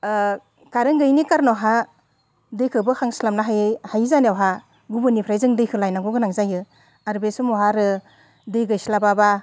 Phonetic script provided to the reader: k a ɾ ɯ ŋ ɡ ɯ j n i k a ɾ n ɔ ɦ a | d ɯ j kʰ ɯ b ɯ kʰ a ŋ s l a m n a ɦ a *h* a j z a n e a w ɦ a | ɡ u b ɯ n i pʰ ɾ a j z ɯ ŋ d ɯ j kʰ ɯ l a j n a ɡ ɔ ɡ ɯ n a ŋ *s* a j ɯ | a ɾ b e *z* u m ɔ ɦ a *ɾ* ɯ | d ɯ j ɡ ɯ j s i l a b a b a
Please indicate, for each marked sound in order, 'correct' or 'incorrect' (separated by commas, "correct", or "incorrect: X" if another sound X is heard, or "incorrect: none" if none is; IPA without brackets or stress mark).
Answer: correct, incorrect: z, incorrect: s, correct